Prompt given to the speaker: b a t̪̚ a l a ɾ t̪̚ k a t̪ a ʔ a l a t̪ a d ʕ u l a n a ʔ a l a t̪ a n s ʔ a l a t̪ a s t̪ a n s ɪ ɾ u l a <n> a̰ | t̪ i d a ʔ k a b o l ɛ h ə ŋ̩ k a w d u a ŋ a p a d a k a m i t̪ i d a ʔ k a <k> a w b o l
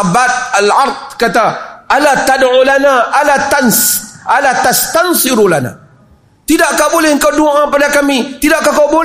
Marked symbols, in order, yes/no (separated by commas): yes, yes